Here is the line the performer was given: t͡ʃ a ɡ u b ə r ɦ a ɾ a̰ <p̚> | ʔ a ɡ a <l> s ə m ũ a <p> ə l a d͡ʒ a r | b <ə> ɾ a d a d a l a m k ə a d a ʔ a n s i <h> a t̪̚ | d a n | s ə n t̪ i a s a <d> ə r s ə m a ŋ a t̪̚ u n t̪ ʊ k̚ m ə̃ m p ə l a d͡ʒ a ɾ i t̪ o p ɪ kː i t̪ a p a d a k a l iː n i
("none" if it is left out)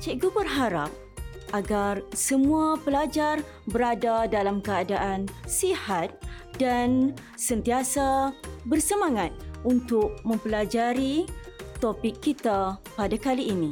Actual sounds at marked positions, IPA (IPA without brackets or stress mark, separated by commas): p̚, r, p, ə, h, b